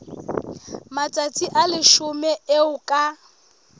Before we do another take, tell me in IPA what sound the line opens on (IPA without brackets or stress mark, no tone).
m